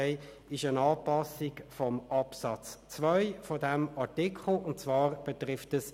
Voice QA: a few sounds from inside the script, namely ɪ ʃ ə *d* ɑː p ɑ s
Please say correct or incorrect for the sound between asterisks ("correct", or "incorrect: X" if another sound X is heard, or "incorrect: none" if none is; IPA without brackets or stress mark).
incorrect: n